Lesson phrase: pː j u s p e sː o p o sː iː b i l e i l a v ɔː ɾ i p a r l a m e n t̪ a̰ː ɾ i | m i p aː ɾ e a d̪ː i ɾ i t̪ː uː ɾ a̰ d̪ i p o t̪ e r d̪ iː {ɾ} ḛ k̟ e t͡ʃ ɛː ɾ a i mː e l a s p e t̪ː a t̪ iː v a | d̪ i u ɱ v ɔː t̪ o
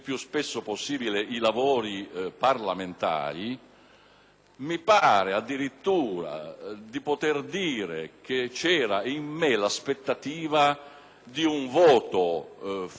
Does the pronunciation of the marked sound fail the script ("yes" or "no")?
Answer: no